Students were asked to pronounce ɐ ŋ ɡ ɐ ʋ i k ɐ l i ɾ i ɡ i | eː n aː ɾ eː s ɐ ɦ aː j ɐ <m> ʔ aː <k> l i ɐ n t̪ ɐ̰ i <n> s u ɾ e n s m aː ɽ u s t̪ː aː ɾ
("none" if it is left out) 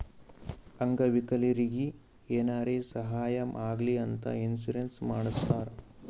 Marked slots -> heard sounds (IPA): m, ɡ, n

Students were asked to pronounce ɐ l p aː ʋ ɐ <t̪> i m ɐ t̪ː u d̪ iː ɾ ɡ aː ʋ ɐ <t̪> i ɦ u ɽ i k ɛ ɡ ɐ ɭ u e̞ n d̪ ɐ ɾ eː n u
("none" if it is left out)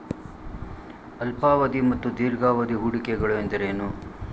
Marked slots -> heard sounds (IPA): d̪, d̪

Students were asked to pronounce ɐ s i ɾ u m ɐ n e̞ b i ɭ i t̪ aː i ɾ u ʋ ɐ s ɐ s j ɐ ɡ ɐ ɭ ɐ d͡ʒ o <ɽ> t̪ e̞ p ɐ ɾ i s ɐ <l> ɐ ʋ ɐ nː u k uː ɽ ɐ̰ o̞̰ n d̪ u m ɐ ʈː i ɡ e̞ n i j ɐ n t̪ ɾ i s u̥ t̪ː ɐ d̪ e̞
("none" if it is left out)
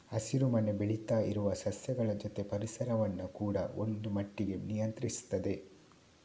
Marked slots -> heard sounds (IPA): none, ɾ

